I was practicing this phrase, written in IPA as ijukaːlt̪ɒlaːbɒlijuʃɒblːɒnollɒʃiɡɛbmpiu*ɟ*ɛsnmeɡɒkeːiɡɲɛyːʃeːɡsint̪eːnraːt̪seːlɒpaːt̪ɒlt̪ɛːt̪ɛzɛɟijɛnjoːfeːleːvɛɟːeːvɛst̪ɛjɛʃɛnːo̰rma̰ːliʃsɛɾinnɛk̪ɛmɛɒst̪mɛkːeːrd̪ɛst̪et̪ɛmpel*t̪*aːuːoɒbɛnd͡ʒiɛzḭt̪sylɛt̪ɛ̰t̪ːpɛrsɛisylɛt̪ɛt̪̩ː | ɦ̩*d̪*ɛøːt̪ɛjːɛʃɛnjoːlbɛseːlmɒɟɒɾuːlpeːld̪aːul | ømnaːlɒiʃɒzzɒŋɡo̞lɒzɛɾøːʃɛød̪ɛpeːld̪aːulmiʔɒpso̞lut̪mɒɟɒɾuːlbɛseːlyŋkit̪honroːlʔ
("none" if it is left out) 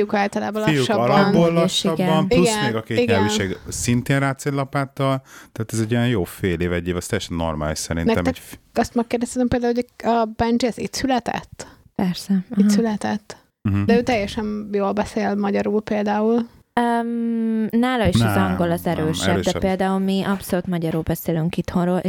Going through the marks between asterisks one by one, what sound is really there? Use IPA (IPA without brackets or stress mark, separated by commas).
ɡ, d̪, d̪